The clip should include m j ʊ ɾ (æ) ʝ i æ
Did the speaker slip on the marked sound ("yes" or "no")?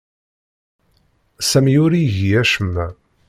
yes